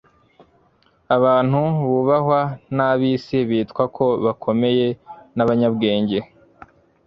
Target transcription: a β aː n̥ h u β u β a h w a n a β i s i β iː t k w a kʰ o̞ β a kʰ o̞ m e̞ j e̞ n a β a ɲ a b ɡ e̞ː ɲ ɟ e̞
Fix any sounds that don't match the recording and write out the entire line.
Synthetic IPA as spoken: a β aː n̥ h u β u β a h w a n a β i s i β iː t k w a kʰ o̞ β a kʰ o̞ m e̞ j e̞ n a β a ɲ a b ɡ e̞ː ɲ ɟ e̞